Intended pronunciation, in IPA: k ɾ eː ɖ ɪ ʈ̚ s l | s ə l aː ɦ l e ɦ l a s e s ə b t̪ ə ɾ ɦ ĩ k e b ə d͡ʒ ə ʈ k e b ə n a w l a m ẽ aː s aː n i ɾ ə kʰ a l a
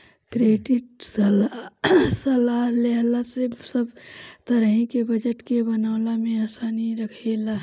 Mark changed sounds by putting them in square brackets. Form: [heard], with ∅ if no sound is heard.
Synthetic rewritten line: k ɾ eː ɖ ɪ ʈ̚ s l | s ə l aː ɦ l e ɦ l a s e s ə b t̪ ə ɾ ɦ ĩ k e b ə d͡ʒ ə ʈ k e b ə n a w l a m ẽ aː s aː n i ɾ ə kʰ [e] l a